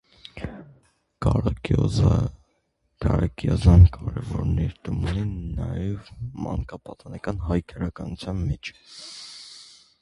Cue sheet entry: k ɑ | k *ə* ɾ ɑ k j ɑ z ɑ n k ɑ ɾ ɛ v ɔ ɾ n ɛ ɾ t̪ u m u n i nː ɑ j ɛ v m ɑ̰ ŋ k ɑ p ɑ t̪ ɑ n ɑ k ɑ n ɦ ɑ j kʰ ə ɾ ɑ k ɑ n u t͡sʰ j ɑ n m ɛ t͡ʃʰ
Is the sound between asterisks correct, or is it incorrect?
incorrect